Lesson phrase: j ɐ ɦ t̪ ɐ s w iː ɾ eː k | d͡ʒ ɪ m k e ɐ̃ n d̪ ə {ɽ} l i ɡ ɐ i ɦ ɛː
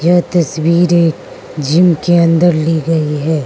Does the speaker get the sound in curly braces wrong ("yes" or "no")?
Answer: yes